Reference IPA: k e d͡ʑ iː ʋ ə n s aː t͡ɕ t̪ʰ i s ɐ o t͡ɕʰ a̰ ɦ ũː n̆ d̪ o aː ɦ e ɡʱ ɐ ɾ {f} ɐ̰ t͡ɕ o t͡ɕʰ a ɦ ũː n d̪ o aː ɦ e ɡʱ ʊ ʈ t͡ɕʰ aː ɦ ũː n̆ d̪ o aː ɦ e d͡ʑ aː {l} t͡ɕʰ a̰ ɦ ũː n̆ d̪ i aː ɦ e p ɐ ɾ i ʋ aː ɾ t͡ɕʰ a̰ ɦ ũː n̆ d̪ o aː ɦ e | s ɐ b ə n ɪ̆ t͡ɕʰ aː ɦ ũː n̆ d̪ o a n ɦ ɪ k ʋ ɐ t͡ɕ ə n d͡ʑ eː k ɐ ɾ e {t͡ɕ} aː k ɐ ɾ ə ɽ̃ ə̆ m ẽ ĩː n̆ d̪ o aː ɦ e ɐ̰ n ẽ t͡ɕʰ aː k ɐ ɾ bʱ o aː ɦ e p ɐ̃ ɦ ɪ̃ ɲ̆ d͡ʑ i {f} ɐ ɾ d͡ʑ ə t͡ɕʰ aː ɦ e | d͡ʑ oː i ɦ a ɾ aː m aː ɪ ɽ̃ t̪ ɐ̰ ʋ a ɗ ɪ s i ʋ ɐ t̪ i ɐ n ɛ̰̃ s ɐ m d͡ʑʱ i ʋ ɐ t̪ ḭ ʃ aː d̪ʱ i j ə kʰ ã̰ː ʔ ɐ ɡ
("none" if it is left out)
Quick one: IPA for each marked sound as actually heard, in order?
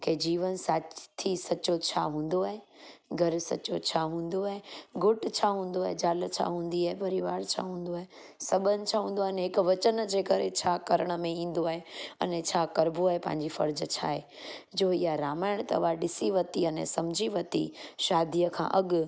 s, l, t͡ɕʰ, f

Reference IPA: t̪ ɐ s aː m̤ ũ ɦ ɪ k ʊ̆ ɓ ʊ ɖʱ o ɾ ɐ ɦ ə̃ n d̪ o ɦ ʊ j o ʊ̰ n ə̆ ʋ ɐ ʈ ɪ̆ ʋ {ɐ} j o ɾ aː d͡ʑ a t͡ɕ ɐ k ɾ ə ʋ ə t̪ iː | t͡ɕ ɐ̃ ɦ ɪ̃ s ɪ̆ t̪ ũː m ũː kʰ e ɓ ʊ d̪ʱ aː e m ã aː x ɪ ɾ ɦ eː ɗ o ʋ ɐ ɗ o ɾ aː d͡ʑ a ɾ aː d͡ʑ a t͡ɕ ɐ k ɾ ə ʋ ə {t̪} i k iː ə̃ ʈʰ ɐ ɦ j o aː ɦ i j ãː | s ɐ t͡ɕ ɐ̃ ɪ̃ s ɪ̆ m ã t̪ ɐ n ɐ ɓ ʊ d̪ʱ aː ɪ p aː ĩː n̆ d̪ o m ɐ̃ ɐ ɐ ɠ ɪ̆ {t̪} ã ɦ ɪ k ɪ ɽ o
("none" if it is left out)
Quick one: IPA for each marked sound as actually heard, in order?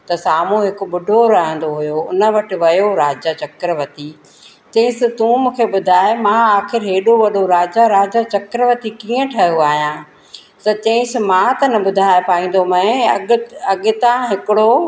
ɐ, t̪, t̪

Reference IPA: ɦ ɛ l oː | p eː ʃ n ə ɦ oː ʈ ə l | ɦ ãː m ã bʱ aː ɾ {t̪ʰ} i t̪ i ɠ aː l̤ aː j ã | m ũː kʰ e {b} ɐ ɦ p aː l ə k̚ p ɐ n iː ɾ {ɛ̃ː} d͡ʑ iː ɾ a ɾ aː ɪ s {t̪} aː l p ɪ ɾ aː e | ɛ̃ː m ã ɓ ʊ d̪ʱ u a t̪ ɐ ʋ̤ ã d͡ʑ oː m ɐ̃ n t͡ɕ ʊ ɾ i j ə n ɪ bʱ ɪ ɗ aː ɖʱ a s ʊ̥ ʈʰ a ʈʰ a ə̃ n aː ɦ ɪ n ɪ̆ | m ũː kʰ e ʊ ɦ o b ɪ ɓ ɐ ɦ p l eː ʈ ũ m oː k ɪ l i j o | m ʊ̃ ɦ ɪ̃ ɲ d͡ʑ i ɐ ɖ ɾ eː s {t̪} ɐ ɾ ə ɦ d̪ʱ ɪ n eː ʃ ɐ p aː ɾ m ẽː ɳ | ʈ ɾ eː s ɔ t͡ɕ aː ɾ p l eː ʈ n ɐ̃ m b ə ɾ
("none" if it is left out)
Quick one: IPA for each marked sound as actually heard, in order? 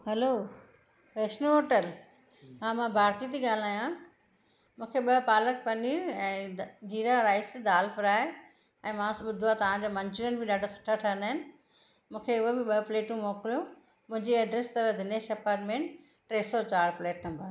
t̪, ɓ, ɛ̃ː, d̪, t̪

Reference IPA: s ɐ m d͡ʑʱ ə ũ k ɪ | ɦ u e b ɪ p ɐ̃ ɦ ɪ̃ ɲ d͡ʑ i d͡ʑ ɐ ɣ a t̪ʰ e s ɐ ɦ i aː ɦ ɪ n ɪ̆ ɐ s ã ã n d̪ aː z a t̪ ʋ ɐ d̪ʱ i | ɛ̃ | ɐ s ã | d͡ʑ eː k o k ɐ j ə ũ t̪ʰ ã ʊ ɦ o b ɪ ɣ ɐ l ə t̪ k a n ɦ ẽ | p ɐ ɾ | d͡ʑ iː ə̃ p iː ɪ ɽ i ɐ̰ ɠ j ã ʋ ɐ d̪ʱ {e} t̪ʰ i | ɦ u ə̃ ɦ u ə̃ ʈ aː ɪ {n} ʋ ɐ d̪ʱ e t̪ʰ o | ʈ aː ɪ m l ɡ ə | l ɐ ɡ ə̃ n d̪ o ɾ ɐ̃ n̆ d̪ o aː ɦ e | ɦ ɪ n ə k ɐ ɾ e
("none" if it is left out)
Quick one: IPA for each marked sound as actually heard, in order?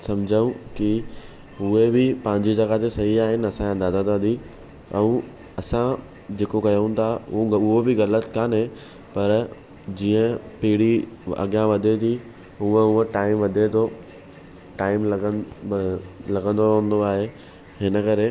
e, m

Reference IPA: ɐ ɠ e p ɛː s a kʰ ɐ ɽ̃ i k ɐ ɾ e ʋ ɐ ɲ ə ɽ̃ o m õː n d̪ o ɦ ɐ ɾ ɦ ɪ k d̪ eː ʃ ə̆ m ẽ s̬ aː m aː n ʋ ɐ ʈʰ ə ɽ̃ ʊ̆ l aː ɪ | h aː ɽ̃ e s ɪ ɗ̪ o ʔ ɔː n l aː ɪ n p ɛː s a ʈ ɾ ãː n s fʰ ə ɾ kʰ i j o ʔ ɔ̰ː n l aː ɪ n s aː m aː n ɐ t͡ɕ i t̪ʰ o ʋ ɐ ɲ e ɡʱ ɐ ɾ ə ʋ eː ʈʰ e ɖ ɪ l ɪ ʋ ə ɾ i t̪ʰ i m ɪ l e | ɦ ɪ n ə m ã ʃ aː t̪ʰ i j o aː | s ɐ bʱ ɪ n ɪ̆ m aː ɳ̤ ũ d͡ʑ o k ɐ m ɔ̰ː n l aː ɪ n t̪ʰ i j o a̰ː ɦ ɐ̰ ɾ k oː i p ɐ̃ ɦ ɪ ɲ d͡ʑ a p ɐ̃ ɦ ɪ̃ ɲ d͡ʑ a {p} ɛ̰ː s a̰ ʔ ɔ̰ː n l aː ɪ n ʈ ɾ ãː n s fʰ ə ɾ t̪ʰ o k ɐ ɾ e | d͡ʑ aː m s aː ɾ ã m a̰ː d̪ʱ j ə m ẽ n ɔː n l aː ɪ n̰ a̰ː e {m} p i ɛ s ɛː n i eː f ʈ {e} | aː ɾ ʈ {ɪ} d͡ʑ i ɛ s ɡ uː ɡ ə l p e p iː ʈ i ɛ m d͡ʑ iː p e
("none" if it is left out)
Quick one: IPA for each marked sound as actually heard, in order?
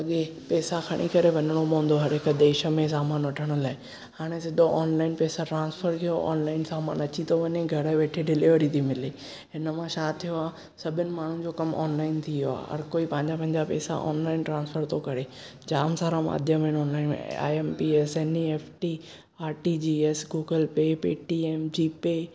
p, m, i, i

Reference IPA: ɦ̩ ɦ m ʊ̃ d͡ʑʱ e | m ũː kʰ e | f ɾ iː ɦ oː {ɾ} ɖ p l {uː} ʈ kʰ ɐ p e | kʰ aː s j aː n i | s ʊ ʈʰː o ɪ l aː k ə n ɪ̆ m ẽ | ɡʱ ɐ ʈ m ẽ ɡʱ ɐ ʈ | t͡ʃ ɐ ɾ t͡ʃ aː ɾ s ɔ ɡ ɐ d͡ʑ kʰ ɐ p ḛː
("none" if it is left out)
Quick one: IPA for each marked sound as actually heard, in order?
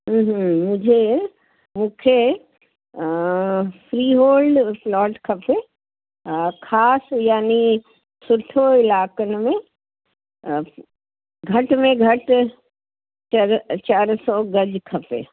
l, ɔː

